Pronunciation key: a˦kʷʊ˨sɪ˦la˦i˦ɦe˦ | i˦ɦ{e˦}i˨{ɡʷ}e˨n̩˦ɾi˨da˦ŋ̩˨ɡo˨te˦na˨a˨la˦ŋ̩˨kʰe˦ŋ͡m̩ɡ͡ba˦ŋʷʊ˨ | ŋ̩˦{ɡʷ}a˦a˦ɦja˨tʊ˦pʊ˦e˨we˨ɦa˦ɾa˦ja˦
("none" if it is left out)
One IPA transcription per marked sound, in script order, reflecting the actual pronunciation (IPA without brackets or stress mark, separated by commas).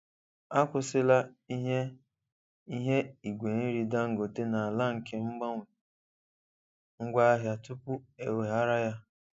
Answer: e˦, ɡʷ, ɡʷ